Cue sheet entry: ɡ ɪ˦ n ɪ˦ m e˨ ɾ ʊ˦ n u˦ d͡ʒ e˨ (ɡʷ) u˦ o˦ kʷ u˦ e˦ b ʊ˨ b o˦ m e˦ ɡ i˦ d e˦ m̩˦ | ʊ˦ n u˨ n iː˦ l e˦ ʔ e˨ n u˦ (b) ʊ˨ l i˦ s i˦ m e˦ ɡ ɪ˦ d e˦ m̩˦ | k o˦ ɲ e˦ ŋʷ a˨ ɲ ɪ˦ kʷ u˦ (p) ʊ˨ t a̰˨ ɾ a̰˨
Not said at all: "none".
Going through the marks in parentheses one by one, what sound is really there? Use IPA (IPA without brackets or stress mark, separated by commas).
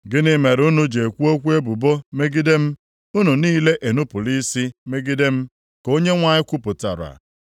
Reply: kʷ, p, p